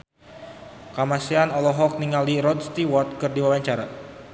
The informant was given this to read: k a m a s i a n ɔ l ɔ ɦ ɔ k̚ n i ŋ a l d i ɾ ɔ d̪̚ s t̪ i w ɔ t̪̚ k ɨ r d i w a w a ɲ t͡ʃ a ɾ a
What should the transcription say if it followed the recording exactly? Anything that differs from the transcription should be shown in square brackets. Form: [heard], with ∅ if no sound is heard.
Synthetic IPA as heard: k a m a s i a n ɔ l ɔ ɦ ɔ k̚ n i ŋ a l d i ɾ ɔ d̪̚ s t̪ i w ɔ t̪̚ k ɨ r d i w a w a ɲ t͡ʃ a ɾ a